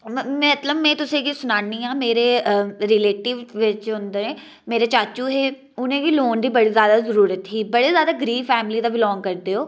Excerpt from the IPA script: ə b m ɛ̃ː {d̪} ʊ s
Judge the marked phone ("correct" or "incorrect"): incorrect